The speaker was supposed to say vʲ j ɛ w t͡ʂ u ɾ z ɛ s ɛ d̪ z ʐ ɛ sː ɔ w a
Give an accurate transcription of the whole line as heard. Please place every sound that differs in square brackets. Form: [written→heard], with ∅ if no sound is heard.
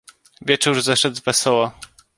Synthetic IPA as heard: vʲ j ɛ [w→∅] t͡ʂ u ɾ z ɛ [s→ʂ] ɛ d̪ z [ʐ→v] ɛ [sː→s] ɔ w a